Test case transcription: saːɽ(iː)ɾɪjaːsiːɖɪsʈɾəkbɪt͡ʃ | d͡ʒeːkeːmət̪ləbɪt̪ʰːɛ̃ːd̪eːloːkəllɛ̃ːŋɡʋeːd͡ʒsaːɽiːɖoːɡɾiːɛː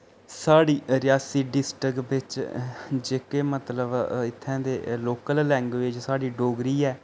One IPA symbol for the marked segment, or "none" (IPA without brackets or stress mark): iː